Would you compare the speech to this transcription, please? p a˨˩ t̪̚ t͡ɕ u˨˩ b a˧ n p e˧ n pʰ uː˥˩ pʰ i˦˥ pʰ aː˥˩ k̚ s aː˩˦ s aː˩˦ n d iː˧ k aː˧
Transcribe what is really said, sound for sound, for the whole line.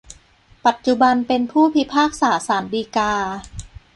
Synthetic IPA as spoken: p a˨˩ t̪̚ t͡ɕ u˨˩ b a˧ n p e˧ n pʰ uː˥˩ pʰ i˦˥ pʰ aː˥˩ k̚ s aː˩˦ s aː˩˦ n d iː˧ k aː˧